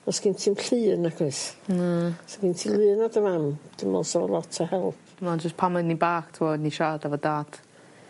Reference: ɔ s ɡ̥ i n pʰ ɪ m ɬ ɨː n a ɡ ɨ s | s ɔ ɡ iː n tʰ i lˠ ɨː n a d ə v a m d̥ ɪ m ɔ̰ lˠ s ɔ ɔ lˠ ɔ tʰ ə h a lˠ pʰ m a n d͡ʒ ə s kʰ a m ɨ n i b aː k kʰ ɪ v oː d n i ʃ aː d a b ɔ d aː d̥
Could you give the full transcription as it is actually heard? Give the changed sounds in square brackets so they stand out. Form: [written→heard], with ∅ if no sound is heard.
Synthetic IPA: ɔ s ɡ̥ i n [pʰ→tʰ] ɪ m ɬ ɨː n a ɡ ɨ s | s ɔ ɡ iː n tʰ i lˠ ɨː n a d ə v a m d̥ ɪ m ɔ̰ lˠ s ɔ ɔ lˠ ɔ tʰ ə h [a→ɛ] lˠ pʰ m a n d͡ʒ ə s [kʰ→pʰ] a m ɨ n i b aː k [kʰ→tʰ] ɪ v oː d n i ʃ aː d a [b→v] ɔ d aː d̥